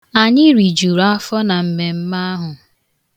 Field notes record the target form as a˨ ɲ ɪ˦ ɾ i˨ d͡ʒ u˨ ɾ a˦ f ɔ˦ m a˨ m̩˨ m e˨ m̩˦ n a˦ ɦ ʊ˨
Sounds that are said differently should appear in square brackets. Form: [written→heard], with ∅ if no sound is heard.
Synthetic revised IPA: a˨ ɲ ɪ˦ ɾ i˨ d͡ʒ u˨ ɾ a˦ f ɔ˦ [m→n] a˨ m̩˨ m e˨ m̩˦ [n→m] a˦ ɦ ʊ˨